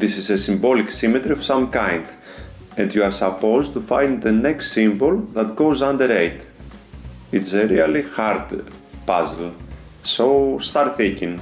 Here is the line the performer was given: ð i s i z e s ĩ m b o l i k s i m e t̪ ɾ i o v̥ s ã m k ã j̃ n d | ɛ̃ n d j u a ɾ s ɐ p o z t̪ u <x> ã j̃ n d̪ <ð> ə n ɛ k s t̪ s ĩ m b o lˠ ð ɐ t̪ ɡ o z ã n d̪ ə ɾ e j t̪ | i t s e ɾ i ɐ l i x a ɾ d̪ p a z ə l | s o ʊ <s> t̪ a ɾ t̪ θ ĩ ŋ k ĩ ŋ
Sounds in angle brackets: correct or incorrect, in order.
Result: incorrect: f, correct, correct

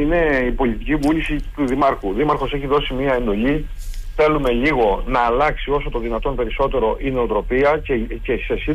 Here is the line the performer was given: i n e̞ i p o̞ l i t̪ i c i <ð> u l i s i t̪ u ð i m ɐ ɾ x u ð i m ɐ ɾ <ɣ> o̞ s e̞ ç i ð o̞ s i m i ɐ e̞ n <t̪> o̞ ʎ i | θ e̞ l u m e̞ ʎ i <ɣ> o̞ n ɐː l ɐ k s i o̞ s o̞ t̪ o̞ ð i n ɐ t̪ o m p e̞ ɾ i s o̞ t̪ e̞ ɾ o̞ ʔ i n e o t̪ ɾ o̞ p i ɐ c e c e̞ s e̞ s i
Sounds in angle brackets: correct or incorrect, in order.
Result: incorrect: v, incorrect: x, incorrect: d̪, correct

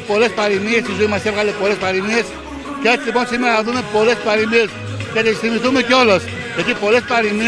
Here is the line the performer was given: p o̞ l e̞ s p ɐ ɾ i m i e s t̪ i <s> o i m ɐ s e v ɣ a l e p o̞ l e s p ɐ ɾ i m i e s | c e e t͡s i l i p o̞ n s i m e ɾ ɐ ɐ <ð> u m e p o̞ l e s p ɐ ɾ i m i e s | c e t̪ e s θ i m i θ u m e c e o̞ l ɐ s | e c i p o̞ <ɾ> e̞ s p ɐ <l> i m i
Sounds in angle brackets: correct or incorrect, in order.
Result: incorrect: z, correct, incorrect: l, incorrect: ɾ

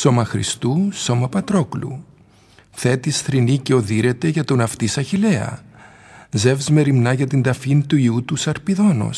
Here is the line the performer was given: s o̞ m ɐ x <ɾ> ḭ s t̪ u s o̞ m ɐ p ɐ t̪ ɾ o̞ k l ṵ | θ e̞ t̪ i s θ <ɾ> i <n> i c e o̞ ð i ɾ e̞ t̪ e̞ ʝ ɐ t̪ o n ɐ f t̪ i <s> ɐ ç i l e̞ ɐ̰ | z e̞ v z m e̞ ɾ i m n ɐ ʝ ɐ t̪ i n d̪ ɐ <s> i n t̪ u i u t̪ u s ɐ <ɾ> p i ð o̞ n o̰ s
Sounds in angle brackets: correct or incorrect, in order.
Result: correct, correct, correct, correct, incorrect: f, correct

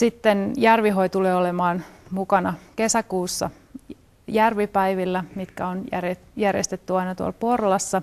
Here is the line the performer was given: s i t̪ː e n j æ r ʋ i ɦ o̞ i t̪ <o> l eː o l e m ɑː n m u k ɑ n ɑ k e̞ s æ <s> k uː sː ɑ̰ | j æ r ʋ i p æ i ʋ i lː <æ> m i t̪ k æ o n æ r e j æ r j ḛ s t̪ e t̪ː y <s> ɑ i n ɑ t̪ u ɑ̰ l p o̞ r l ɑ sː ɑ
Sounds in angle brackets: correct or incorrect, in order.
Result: incorrect: u, incorrect: none, correct, incorrect: none

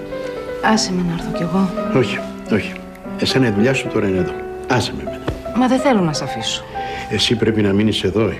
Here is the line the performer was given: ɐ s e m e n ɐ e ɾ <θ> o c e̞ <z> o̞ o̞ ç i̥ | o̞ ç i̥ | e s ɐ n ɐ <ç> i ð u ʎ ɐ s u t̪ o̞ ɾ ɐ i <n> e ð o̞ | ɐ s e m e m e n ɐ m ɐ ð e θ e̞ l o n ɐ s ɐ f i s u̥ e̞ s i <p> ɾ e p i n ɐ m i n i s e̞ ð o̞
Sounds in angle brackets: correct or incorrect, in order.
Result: correct, incorrect: ɣ, incorrect: none, correct, correct

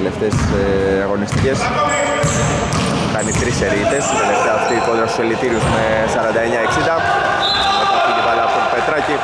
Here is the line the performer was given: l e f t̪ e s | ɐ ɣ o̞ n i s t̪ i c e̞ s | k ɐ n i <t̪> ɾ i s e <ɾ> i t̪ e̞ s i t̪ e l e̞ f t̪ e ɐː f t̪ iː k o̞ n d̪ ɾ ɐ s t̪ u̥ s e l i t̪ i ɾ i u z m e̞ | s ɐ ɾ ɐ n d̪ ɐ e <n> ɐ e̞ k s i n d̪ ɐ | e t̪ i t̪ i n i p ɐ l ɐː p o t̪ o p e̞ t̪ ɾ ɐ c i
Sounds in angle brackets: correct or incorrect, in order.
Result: correct, correct, incorrect: ɲ

